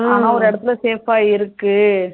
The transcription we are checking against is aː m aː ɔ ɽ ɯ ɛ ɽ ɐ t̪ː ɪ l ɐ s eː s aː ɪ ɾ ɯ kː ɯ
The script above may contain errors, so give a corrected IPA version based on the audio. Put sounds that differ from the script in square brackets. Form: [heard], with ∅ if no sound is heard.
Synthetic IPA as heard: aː [n] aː ɔ [ɾ] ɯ ɛ ɽ ɐ t̪ː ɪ l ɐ s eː [f] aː ɪ ɾ ɯ kː ɯ